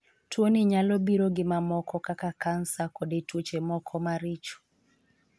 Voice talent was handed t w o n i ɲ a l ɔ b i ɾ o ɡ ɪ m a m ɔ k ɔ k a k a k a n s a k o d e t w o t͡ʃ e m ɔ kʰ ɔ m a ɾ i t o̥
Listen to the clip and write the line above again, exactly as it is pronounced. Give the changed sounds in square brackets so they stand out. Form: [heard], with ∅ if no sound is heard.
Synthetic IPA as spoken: t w o n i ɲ a l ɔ b i ɾ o ɡ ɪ m a m ɔ k ɔ k a k a k a n s a k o d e t w o t͡ʃ e m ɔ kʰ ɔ m a ɾ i [t͡ʃ] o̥